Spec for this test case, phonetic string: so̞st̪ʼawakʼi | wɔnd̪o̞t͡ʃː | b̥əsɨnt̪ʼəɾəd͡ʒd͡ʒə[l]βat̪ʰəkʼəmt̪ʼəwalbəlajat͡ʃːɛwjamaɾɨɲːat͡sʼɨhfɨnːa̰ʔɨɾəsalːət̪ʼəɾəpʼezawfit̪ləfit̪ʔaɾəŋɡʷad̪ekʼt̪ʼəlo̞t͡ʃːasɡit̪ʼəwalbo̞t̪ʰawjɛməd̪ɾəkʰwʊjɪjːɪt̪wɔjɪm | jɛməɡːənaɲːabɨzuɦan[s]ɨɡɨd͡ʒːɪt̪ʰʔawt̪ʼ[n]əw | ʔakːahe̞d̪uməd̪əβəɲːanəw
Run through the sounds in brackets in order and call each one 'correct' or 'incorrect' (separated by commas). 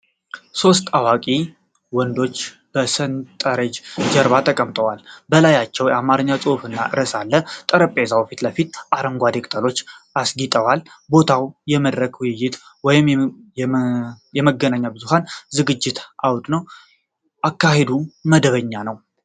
incorrect, incorrect, correct